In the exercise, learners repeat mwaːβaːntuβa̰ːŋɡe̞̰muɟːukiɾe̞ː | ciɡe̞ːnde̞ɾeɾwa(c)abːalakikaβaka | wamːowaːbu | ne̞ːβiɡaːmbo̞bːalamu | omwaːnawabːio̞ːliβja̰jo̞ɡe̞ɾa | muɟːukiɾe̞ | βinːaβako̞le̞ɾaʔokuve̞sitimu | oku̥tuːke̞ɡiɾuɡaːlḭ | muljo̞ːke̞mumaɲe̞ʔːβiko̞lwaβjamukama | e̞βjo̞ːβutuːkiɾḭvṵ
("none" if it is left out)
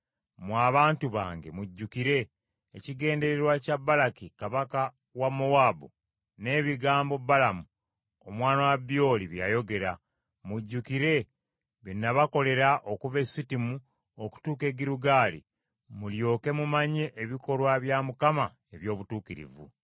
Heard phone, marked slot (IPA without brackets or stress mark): c